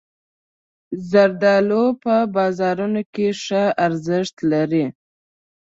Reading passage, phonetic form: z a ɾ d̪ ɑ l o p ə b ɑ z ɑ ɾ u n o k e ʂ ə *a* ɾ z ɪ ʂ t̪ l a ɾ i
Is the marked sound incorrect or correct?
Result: correct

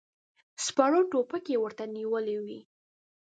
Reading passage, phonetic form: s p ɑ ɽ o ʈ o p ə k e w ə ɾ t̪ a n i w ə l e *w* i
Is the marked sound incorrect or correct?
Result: correct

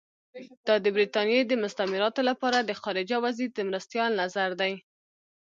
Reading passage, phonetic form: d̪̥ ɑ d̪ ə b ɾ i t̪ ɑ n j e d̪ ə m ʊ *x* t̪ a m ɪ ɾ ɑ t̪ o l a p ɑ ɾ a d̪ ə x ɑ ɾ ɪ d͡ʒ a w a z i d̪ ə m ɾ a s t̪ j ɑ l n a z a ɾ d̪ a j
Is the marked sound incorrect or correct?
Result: incorrect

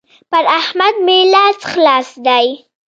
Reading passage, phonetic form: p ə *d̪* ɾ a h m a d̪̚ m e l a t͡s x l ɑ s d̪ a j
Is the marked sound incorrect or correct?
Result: incorrect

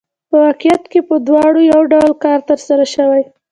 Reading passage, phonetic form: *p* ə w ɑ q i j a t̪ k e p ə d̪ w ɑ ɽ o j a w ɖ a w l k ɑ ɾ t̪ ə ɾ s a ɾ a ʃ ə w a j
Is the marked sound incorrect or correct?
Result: correct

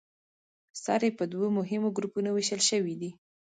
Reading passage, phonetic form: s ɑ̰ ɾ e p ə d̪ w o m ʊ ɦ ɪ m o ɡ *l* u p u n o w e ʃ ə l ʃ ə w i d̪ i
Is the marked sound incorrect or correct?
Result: incorrect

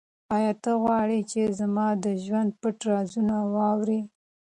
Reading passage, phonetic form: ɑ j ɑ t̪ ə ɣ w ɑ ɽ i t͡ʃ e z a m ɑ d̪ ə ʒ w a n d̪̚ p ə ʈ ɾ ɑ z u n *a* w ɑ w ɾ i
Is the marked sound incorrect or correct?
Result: correct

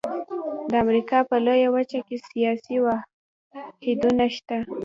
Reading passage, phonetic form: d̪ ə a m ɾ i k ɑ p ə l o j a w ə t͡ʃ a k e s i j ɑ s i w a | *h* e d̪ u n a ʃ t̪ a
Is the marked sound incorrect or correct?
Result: correct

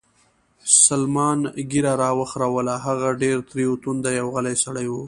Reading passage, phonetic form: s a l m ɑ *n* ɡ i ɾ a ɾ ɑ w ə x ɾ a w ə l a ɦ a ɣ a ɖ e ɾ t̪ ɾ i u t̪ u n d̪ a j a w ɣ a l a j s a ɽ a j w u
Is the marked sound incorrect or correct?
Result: correct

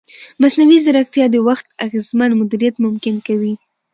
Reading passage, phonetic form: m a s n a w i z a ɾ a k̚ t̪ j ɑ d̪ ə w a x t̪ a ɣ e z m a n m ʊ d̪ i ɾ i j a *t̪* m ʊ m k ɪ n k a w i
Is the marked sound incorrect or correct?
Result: correct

